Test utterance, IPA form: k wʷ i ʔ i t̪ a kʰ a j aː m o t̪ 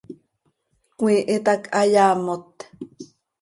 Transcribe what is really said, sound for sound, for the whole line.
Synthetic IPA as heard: k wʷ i ʔ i t̪ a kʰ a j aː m o t̪